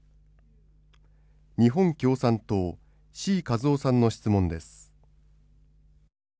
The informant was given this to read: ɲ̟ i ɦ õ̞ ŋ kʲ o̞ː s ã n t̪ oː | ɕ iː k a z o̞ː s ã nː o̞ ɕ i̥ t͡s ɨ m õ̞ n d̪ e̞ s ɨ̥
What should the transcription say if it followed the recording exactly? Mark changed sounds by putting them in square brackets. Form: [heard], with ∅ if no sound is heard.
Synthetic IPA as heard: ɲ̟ i ɦ õ̞ ŋ kʲ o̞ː s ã n t̪ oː | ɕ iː k a z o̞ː s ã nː o̞ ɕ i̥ t͡s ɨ m õ̞ n d̪ e̞ s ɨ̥